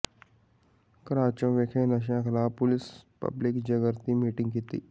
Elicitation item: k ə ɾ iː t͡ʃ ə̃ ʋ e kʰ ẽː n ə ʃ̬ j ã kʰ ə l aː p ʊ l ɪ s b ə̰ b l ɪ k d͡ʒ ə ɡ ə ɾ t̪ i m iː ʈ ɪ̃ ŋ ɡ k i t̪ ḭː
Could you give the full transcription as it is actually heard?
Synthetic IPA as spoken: k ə ɾ aː t͡ʃ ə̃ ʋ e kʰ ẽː n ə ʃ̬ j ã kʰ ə l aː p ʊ l ɪ s p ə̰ b l ɪ k d͡ʒ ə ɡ ə ɾ t̪ i m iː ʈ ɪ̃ ŋ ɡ k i t̪ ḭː